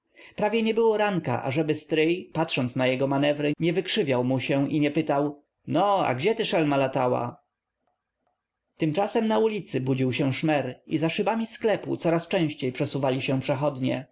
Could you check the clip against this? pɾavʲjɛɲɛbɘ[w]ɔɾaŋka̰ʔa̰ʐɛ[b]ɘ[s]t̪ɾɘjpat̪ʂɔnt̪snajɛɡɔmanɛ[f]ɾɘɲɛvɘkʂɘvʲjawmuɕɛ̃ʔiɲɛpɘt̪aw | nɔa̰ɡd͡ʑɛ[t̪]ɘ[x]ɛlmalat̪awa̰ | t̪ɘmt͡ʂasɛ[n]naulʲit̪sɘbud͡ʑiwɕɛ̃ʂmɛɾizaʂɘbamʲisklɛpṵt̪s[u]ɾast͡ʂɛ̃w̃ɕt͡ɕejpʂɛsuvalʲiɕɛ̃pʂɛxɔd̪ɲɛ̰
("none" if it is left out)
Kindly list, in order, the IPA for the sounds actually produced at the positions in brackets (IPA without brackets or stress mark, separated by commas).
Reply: w, b, s, v, t̪, ʂ, m, ɔ